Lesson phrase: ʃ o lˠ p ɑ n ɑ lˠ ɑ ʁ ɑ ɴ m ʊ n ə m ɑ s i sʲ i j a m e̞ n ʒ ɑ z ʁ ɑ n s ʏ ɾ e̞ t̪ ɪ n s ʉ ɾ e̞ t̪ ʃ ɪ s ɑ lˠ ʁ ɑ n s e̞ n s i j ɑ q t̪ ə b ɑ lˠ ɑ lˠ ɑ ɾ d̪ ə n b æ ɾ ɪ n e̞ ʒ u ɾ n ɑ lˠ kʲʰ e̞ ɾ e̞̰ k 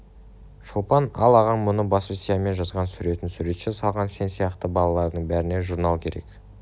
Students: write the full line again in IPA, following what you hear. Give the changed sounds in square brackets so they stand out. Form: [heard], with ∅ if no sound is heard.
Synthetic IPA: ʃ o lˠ p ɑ n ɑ lˠ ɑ ʁ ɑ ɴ m ʊ n ə [b] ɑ s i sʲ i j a m e̞ n ʒ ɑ z ʁ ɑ n s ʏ ɾ e̞ t̪ ɪ n s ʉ ɾ e̞ t̪ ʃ ɪ s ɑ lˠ ʁ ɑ n s e̞ n s i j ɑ q t̪ ə b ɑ lˠ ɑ lˠ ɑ ɾ d̪ ə [ɴ] b æ ɾ ɪ n e̞ ʒ u ɾ n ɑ lˠ kʲʰ e̞ ɾ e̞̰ k